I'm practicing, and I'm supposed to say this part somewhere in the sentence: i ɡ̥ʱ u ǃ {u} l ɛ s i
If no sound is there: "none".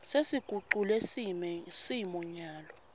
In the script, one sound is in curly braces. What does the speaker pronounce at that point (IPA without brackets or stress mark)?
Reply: u